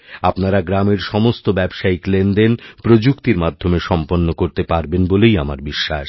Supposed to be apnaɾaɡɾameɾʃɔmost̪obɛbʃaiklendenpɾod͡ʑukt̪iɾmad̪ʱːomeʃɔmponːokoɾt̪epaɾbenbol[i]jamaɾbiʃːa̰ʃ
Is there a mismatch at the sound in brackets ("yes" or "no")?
yes